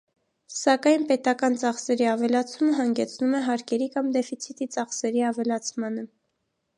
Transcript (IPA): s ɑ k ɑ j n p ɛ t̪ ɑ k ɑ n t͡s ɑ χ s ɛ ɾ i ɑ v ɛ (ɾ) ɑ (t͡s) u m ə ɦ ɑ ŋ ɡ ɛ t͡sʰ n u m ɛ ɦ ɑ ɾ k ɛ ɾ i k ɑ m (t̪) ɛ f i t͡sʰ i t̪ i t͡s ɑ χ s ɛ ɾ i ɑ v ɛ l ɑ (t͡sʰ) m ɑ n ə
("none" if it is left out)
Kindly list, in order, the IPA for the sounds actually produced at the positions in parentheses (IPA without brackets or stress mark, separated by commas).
l, t͡sʰ, d̪, t͡sʰ